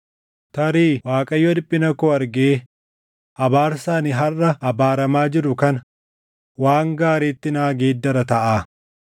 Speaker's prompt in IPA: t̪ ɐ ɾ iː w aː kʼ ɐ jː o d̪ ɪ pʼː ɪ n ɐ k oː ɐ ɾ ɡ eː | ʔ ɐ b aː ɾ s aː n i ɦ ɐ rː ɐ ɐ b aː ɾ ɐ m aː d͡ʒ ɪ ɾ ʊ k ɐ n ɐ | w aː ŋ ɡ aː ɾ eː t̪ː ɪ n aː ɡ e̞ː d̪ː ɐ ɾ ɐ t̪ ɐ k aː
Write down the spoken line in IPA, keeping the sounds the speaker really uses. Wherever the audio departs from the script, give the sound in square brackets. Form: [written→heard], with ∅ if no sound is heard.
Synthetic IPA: t̪ ɐ ɾ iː w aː kʼ ɐ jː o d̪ ɪ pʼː ɪ n ɐ k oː ɐ ɾ ɡ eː | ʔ ɐ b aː ɾ s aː n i ɦ ɐ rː ɐ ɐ b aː ɾ ɐ m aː d͡ʒ ɪ ɾ ʊ k ɐ n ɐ | w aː ŋ ɡ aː ɾ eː t̪ː ɪ n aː ɡ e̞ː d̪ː ɐ ɾ ɐ t̪ ɐ [k→ʔ] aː